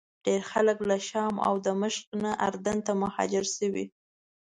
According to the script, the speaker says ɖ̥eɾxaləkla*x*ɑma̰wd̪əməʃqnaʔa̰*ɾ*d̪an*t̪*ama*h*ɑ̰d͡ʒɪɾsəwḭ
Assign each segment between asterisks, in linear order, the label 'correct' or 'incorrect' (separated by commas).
incorrect, correct, correct, correct